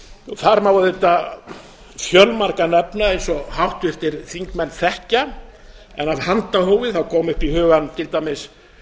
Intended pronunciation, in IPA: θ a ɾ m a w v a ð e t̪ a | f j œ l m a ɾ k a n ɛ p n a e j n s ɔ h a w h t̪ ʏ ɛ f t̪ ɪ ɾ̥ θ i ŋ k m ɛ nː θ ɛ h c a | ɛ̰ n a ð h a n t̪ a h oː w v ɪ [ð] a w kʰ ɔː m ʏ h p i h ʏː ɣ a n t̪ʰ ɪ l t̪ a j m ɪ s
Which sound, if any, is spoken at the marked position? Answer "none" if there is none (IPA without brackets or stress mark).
θ